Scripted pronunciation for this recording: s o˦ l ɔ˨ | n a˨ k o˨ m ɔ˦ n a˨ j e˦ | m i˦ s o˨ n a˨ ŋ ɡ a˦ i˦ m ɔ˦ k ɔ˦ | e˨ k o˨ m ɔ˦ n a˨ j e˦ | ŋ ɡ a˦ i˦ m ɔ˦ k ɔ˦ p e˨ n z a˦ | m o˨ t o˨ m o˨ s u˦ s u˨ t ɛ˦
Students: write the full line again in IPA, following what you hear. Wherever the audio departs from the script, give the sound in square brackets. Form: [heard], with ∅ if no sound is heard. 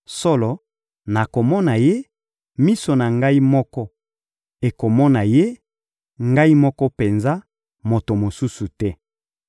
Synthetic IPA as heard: s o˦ l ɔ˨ | n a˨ k o˨ m ɔ˦ n a˨ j e˦ | m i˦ s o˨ n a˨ ŋ ɡ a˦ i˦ m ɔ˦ k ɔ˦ | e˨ k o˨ m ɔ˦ n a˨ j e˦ | ŋ ɡ a˦ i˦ m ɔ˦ k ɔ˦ p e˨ n z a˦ | m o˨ t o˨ m o˨ s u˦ s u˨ t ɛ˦